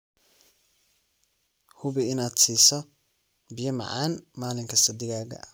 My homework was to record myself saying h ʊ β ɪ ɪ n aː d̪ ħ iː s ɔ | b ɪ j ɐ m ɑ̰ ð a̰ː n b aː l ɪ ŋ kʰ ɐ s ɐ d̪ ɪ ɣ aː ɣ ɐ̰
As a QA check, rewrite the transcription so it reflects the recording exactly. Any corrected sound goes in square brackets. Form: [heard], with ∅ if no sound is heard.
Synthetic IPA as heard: h ʊ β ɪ ɪ n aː d̪ [s] iː s ɔ | b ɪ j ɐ m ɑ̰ [ʕ] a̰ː n [m] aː l ɪ ŋ kʰ ɐ s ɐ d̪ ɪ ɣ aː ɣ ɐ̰